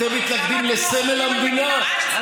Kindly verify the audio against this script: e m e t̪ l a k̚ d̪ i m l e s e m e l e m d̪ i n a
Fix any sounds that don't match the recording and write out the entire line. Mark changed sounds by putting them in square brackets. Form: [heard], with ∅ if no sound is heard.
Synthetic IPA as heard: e m [i] t̪ l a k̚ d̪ i m l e s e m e l [a] m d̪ i n a